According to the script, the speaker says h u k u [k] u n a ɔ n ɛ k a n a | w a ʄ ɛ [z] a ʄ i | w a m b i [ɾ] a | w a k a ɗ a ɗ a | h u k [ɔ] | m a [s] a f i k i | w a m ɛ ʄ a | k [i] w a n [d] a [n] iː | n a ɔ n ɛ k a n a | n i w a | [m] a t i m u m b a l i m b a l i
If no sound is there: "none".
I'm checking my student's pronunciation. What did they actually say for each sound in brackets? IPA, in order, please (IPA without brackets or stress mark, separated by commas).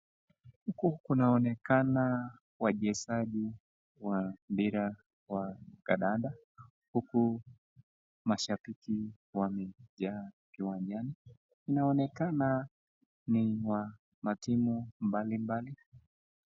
k, s, ɾ, u, ʃ, i, d͡ʒ, n, m